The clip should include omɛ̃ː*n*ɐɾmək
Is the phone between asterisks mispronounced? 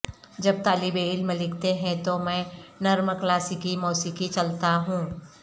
no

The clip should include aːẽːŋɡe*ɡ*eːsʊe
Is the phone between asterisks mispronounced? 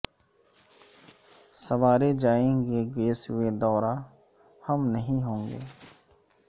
no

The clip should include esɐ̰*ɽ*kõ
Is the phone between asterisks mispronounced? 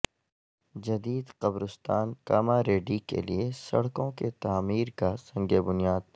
no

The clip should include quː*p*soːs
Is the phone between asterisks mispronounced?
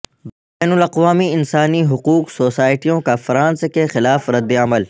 yes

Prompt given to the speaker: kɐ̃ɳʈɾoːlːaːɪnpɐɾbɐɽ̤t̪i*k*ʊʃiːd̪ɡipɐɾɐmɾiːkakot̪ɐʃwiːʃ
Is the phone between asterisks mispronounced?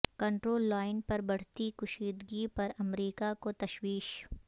no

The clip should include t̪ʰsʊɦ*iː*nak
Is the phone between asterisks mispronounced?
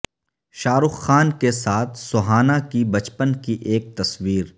yes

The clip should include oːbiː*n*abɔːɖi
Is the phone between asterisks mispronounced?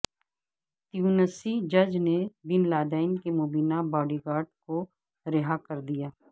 no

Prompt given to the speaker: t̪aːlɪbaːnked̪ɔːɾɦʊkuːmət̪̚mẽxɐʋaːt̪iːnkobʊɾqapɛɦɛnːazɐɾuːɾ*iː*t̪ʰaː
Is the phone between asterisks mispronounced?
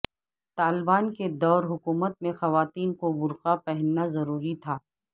yes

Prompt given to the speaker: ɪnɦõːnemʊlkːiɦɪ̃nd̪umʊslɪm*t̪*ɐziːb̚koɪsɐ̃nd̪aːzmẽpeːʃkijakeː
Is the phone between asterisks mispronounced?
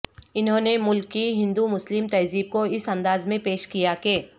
no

